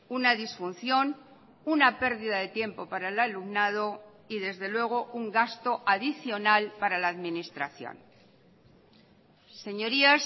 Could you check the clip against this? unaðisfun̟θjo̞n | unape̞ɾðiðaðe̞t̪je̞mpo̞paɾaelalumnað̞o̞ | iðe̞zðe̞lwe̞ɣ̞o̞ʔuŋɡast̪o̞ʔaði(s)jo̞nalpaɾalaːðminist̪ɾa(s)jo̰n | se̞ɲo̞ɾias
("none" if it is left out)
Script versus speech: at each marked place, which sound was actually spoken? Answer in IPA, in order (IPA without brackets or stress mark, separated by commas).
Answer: θ, θ